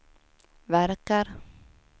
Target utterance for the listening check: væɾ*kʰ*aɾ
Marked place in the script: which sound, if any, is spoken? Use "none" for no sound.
k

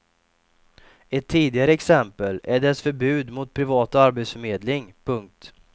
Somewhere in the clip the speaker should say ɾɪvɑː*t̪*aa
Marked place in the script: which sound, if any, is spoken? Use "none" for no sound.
t̪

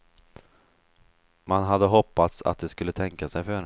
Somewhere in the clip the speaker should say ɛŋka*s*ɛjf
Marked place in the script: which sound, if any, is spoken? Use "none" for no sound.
s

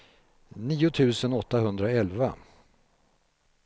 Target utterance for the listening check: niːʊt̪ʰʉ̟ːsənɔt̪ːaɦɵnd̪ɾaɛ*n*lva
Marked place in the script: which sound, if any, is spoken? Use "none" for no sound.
none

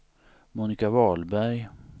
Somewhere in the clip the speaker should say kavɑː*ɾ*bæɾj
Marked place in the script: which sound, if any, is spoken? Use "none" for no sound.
l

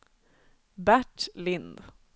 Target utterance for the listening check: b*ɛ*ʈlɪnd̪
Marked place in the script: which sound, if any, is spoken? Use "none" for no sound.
æ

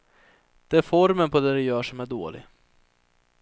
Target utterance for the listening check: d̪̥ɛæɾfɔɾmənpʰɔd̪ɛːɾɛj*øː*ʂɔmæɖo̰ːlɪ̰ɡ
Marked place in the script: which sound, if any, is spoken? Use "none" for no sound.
œː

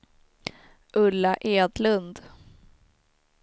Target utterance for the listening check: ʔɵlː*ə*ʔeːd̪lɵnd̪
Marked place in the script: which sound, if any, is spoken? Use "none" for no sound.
a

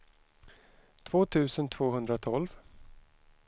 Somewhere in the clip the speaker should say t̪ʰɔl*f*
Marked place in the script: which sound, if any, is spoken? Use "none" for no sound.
v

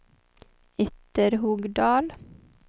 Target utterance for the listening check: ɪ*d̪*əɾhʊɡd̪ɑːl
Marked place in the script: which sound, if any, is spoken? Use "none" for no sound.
t̪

